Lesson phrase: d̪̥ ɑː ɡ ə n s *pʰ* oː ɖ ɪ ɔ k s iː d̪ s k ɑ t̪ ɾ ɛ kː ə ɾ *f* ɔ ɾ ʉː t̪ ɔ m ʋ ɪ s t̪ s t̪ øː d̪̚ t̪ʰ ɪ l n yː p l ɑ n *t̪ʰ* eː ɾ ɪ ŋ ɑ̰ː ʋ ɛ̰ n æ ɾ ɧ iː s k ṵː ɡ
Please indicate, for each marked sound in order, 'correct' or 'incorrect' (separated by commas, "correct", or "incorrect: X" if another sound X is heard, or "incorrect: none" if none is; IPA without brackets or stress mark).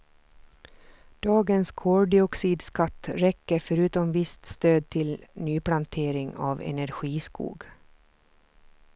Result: incorrect: kʰ, correct, correct